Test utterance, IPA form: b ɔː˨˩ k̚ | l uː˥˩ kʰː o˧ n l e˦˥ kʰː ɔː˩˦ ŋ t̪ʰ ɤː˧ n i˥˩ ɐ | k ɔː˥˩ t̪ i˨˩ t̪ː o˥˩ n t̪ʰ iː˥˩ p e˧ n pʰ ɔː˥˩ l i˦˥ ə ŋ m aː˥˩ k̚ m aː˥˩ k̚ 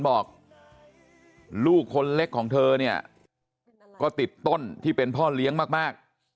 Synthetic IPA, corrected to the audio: b ɔː˨˩ k̚ | l uː˥˩ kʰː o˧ n l e˦˥ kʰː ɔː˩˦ ŋ t̪ʰ ɤː˧ n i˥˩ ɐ | k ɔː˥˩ t̪ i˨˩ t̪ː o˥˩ n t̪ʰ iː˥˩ p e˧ n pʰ ɔː˥˩ l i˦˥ ə ŋ m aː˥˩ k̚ m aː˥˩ k̚